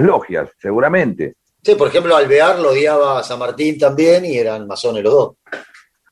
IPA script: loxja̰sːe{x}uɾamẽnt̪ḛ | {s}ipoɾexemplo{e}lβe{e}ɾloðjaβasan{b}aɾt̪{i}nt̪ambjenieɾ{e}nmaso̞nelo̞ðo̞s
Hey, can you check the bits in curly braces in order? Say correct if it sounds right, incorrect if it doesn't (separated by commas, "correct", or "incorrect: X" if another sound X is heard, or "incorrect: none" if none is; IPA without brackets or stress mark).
incorrect: ɣ, correct, incorrect: a, incorrect: a, incorrect: m, correct, incorrect: a